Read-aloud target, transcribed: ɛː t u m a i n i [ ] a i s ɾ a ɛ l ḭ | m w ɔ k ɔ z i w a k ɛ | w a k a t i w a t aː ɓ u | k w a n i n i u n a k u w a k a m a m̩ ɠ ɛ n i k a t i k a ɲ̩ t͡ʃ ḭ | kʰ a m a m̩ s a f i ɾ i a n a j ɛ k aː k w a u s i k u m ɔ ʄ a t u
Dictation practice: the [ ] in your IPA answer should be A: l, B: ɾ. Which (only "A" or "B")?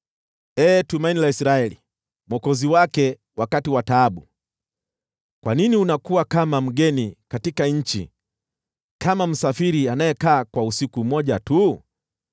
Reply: A